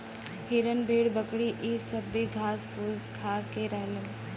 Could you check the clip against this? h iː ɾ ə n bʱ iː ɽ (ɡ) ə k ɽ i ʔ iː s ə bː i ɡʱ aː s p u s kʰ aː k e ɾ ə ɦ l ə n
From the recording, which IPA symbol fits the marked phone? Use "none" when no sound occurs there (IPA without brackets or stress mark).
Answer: b